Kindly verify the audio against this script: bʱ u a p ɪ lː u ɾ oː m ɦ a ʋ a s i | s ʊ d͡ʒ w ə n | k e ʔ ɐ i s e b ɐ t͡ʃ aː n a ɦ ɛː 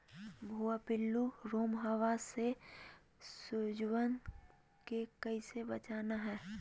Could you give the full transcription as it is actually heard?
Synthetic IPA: bʱ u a p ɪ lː u ɾ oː m ɦ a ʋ a s e | s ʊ d͡ʒ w ə n | k e k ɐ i s e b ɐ t͡ʃ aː n a ɦ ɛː